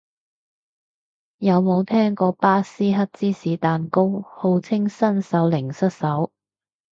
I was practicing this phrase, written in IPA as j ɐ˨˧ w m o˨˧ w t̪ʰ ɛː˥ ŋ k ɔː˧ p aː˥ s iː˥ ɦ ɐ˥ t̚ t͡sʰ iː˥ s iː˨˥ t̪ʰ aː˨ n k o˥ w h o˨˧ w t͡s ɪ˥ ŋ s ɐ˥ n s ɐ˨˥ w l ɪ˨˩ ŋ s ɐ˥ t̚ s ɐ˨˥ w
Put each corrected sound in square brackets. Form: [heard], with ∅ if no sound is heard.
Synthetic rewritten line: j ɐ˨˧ w m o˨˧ w t̪ʰ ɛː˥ ŋ k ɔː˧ p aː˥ s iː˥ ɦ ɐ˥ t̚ [t͡s] iː˥ s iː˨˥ [t̪] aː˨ n k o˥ w h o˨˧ w [t͡sʰ] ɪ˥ ŋ s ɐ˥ n s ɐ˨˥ w l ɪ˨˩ ŋ s ɐ˥ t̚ s ɐ˨˥ w

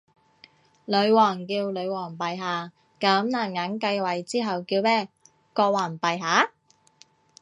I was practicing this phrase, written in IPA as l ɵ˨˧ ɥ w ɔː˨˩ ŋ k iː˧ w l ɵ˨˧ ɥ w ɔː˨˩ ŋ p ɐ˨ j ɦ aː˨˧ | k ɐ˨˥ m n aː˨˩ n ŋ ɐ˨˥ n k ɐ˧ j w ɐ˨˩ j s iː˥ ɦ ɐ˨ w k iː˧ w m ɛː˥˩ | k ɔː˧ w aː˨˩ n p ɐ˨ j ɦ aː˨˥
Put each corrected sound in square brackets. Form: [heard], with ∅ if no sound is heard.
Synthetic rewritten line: l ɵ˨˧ ɥ w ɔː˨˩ ŋ k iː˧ w l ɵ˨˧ ɥ w ɔː˨˩ ŋ p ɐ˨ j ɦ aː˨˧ | k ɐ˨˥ m n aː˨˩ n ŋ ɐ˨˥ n k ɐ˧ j w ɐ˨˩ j [t͡s] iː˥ ɦ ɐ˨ w k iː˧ w m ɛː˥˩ | k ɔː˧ w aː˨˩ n p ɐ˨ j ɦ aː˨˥

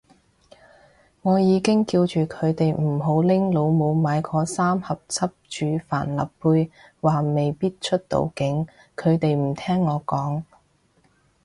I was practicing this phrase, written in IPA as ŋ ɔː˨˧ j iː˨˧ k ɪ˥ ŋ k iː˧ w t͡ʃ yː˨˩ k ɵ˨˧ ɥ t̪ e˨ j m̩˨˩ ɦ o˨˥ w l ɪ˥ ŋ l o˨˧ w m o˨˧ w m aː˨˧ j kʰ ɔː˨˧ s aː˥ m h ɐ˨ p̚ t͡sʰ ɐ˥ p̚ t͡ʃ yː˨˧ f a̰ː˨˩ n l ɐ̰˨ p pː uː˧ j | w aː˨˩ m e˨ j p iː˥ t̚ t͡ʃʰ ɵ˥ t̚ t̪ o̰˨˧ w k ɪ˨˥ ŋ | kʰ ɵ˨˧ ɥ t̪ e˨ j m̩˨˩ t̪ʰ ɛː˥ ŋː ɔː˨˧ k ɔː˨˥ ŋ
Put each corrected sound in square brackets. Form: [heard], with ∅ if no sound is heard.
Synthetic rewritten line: ŋ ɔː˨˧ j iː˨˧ k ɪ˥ ŋ k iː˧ w t͡ʃ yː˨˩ [kʰ] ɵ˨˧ ɥ t̪ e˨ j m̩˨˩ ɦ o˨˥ w l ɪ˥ ŋ l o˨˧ w m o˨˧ w m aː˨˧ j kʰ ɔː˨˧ s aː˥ m h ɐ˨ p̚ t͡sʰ ɐ˥ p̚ t͡ʃ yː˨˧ f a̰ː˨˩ n l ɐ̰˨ p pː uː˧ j | w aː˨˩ m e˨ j p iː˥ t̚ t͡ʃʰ ɵ˥ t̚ t̪ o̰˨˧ w k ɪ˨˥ ŋ | kʰ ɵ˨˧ ɥ t̪ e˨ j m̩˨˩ t̪ʰ ɛː˥ ŋː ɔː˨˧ k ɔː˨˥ ŋ

